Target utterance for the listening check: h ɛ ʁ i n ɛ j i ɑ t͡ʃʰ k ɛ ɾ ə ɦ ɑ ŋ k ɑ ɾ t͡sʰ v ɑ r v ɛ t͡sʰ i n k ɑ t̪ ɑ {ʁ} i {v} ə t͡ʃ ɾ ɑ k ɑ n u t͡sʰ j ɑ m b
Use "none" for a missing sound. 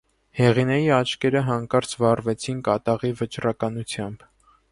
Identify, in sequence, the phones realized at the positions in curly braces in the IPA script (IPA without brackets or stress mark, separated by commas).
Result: ʁ, v